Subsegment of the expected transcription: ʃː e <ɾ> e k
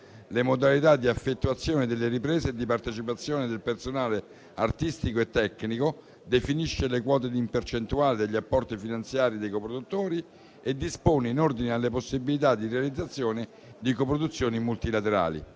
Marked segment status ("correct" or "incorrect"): incorrect